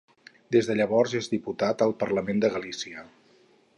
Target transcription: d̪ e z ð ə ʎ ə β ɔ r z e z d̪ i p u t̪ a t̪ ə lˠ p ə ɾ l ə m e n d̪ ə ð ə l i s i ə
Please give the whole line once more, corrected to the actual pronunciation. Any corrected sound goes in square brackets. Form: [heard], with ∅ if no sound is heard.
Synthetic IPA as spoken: d̪ e z ð ə ʎ ə β ɔ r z e z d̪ i p u t̪ a t̪ ə lˠ p ə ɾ l ə m e n d̪ ə [ɣ] ə l i s i ə